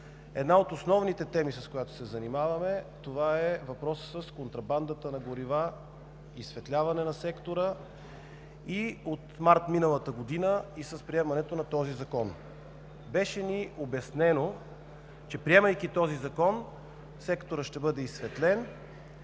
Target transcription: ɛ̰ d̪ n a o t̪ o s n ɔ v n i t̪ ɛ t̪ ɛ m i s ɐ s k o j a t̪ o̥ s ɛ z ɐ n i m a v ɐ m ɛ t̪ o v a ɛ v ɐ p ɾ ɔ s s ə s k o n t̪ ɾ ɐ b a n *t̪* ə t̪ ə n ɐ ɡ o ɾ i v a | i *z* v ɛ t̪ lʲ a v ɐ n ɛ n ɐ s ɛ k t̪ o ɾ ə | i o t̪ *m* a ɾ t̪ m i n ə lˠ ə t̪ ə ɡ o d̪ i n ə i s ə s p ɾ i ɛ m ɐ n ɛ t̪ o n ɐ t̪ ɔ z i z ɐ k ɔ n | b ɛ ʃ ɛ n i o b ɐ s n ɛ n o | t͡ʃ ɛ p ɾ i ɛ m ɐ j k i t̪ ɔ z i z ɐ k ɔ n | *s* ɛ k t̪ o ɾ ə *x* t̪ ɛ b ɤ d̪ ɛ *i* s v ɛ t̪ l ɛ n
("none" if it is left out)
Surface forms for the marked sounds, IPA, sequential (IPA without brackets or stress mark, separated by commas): d̪, s, m, s, ʃ, i